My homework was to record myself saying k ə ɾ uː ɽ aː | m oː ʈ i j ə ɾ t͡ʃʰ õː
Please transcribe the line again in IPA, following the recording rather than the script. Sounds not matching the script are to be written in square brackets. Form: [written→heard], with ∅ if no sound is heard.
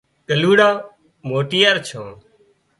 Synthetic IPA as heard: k ə [ɾ→l] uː ɽ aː | m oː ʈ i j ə ɾ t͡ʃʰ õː

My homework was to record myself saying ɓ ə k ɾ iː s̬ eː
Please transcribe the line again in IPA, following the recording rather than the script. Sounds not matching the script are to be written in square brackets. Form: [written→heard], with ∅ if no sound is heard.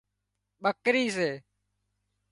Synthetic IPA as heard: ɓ ə k ɾ iː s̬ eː

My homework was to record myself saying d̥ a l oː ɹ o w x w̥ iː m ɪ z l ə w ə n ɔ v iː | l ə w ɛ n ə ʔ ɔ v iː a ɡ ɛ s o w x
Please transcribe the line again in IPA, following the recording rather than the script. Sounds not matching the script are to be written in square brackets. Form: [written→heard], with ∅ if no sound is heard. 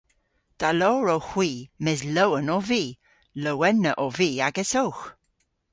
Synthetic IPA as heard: d̥ a l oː ɹ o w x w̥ iː m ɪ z l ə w ə n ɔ v iː | l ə w ɛ n ə ʔ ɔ v iː a ɡ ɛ s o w x

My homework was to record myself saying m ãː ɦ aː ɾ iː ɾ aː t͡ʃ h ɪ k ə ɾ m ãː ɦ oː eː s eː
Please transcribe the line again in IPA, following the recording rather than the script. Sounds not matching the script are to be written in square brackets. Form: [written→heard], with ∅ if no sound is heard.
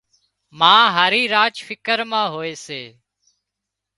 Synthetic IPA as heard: m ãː ɦ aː ɾ iː ɾ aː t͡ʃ [h→f] ɪ k ə ɾ m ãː ɦ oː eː s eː

